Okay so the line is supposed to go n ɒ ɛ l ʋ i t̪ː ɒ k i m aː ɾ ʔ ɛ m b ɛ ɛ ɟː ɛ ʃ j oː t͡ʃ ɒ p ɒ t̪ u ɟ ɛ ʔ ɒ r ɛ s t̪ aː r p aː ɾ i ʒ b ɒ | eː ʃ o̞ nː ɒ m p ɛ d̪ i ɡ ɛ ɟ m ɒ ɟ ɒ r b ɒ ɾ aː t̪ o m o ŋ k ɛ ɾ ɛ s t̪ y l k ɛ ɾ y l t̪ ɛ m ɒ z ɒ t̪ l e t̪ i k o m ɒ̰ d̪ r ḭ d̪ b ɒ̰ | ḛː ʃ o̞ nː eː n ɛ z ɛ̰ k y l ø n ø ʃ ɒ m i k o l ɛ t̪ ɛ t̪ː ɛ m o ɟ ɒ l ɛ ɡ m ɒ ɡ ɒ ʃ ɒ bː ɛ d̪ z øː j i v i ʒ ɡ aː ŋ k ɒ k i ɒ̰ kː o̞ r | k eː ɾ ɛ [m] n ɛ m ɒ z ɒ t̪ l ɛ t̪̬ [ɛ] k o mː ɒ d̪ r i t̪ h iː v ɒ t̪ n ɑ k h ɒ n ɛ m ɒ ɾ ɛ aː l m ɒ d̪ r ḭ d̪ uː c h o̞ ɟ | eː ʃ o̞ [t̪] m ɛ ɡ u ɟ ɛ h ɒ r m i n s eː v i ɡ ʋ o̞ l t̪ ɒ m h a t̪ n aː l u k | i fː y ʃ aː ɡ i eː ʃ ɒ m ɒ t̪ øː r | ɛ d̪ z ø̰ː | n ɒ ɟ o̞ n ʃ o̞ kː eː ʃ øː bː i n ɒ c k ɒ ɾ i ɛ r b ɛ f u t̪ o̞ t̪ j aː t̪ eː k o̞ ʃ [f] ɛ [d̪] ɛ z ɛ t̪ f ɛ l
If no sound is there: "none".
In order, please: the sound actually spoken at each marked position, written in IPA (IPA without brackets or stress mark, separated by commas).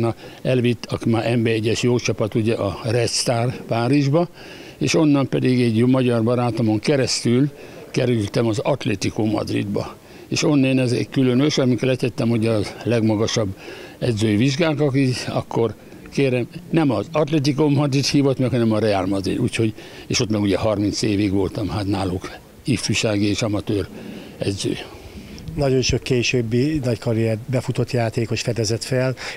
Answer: m, i, t̪, f, d̪